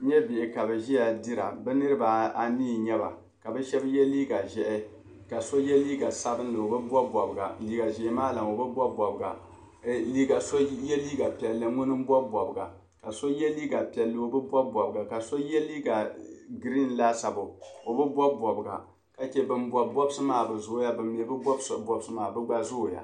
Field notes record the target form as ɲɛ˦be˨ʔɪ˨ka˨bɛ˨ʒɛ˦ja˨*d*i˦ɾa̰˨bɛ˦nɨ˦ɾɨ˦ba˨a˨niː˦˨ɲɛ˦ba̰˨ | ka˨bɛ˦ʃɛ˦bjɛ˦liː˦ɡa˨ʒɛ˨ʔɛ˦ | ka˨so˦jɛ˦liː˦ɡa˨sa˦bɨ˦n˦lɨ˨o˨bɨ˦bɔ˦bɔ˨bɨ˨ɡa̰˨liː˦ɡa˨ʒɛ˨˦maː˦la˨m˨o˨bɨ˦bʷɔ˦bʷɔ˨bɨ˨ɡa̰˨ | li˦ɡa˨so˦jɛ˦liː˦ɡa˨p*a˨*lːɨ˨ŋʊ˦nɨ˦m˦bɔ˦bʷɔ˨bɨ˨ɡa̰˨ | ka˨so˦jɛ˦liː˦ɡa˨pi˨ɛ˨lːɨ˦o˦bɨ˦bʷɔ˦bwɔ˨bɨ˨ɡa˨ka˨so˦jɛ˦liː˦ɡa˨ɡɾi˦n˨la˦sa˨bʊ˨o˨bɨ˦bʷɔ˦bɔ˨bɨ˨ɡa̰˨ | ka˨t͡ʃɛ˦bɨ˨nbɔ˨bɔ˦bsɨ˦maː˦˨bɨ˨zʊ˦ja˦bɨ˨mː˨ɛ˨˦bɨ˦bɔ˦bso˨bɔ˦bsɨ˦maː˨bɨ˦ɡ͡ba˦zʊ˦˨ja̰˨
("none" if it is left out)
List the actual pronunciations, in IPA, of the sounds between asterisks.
d, ɛ˨

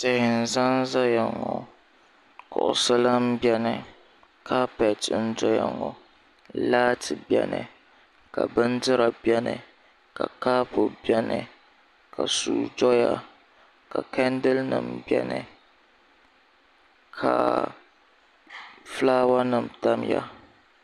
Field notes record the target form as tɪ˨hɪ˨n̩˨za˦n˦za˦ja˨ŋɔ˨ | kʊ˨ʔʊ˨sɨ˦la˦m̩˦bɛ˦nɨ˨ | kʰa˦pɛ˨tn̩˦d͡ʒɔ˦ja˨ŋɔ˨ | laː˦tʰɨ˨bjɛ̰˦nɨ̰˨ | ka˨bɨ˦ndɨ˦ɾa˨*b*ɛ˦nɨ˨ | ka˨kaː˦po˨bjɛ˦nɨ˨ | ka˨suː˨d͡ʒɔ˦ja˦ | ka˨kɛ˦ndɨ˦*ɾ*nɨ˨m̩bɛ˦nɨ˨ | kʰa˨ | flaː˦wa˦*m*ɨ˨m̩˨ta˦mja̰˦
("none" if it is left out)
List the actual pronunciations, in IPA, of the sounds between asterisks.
b, l, n

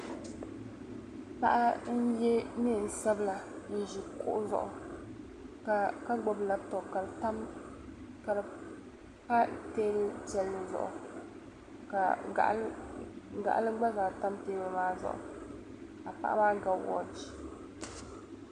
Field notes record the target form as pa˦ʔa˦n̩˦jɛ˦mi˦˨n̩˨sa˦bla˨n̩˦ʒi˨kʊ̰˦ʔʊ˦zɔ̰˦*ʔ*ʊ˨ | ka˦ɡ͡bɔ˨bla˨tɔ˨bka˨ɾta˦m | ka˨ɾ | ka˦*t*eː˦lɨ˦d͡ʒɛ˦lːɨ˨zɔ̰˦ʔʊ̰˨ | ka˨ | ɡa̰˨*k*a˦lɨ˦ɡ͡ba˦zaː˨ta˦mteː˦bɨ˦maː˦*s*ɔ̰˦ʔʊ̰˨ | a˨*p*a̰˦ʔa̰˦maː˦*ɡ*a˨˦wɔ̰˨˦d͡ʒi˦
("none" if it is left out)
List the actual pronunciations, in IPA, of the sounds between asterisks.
ʔ, t, ʔ, z, p, ɡ

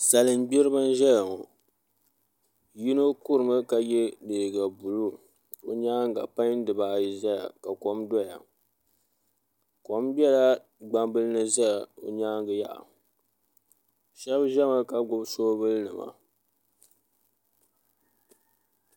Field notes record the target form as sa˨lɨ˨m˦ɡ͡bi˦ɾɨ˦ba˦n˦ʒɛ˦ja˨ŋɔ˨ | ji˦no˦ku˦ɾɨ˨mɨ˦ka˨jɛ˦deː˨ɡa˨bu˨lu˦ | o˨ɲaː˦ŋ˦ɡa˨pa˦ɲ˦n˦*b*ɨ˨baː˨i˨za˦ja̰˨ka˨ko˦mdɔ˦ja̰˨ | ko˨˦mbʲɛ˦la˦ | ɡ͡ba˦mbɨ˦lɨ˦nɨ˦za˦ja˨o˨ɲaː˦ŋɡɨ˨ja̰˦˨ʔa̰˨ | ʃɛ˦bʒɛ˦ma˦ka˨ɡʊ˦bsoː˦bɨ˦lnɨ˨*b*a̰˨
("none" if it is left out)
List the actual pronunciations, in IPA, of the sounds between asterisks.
d, m

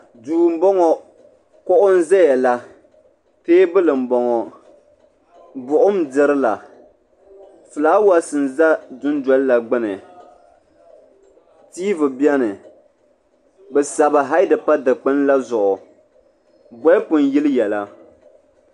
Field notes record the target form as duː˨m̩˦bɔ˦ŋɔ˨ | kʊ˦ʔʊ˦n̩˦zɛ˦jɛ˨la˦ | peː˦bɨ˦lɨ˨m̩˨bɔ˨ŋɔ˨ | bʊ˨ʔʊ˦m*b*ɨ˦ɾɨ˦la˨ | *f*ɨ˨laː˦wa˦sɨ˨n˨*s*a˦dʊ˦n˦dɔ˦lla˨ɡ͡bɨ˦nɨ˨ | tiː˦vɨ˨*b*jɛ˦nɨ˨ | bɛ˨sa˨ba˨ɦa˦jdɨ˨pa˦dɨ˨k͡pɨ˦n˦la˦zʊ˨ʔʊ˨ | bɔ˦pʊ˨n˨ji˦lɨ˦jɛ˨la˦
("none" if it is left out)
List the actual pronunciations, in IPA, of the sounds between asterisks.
d, f, z, b

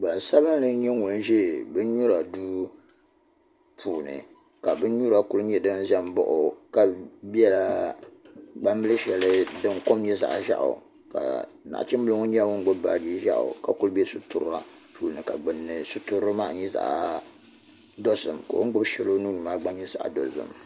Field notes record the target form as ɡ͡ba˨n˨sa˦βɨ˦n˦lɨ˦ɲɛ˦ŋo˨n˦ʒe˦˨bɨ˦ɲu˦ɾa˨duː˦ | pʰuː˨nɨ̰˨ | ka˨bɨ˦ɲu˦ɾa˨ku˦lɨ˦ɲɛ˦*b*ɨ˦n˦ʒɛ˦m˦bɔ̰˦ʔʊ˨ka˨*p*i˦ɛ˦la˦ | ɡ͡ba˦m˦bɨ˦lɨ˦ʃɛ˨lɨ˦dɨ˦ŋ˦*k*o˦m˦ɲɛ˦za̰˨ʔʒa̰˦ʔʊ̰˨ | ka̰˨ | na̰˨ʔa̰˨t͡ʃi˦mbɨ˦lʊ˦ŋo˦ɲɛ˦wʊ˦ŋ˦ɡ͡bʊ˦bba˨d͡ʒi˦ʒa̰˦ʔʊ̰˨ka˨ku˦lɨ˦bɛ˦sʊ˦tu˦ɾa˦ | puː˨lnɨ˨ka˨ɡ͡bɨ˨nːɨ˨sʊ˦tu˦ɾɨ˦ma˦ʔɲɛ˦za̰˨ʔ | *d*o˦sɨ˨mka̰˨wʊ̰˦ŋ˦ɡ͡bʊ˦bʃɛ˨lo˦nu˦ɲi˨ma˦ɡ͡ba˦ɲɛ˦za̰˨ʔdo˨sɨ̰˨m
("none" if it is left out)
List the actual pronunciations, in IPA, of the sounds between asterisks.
d, b, k, d

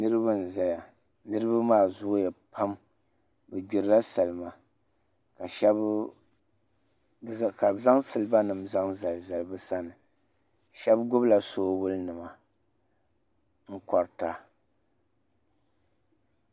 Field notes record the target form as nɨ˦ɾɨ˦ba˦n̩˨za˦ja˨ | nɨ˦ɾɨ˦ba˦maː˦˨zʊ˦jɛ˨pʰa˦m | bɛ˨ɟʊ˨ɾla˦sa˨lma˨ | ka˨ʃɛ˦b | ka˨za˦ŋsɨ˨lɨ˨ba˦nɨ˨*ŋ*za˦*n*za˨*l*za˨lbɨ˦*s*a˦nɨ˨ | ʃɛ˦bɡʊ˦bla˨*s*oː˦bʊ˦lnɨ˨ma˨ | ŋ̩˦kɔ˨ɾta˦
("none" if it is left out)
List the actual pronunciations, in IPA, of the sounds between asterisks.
m, ŋ, l, s, s

